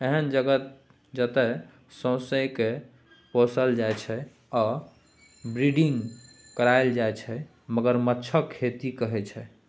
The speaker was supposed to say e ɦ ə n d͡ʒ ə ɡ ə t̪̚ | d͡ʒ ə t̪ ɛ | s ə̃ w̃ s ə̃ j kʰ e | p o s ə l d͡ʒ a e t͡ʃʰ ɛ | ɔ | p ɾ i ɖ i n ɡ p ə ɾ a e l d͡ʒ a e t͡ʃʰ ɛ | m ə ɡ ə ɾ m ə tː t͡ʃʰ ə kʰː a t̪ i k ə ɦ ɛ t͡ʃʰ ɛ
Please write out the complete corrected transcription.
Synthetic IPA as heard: e ɦ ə n d͡ʒ ə ɡ ə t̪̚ | d͡ʒ ə t̪ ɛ | s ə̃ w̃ s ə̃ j k e | p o s ə l d͡ʒ a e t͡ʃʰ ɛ | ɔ | b ɾ i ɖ i ŋ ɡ k ə ɾ a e l d͡ʒ a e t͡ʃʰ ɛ | m ə ɡ ə ɾ m ə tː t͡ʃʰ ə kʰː e t̪ i k ə ɦ ɛ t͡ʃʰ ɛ

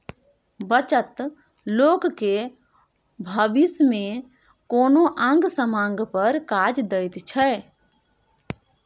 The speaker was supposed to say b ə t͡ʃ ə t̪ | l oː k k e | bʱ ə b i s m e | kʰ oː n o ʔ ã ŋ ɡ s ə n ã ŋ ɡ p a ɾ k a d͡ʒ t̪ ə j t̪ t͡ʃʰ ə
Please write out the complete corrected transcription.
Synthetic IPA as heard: b ə t͡ʃ ə t̪ | l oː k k e | bʱ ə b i s m e | k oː n o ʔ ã ŋ ɡ s ə m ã ŋ ɡ p ə ɾ k a d͡ʒ d̪ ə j t̪ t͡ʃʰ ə

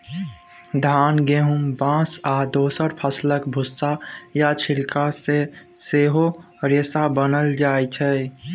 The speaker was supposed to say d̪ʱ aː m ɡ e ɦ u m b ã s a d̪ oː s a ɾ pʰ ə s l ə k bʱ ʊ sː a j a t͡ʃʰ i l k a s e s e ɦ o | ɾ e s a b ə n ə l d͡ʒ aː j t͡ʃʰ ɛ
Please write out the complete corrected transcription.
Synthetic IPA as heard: d̪ʱ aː n ɡ e ɦ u m b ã s a d̪ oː s ə ɾ pʰ ə s l ə k bʱ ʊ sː a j a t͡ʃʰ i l k a s e s e ɦ o | ɾ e s a b ə n ə l d͡ʒ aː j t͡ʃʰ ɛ

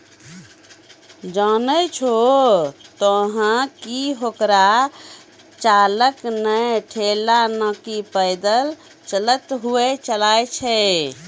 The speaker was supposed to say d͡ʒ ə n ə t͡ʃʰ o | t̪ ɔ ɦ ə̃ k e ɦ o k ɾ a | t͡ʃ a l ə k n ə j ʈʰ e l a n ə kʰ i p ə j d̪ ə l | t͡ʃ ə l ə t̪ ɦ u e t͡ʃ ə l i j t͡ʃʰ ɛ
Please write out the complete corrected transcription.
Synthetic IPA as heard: d͡ʒ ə n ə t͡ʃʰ o | t̪ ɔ ɦ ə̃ k i ɦ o k ɾ a | t͡ʃ a l ə k n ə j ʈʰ e l a n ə k i p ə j d̪ ə l | t͡ʃ ə l ə t̪ ɦ u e t͡ʃ ə l a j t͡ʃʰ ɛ

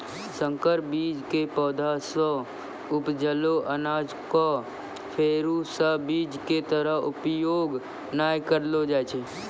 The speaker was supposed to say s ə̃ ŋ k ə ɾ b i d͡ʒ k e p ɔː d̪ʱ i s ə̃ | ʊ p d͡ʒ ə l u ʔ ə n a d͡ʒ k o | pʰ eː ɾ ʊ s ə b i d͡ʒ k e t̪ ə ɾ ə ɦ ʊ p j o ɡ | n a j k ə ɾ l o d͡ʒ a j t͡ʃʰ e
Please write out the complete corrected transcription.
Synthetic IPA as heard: s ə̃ ŋ k ə ɾ b i d͡ʒ k e p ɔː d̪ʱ a s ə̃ | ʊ p d͡ʒ ə l o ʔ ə n a d͡ʒ k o | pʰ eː ɾ u s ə b i d͡ʒ k e t̪ ə ɾ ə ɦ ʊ p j o ɡ | n a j k ə ɾ l o d͡ʒ a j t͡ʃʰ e

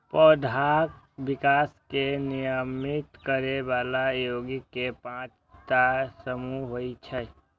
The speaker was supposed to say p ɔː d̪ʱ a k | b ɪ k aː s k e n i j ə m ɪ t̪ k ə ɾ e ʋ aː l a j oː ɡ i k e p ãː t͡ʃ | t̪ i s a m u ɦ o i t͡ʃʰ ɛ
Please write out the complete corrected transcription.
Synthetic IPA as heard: p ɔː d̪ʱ a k | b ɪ k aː s k e n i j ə m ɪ t̪ k ə ɾ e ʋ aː l a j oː ɡ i k e p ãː t͡ʃ | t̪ a s ə m u ɦ o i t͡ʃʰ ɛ

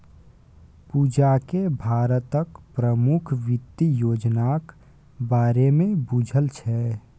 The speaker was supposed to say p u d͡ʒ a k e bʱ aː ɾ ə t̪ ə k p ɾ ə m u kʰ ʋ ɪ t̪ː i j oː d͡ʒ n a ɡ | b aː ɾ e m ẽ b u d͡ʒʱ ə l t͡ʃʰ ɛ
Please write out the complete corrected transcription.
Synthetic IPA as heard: p u d͡ʒ a k e bʱ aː ɾ ə t̪ ə k p ɾ ə m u kʰ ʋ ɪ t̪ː i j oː d͡ʒ n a k | b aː ɾ e m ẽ b u d͡ʒʱ ə l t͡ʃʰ ɛ

